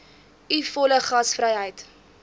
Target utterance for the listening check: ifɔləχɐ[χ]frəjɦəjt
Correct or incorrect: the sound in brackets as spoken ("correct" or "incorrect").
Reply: incorrect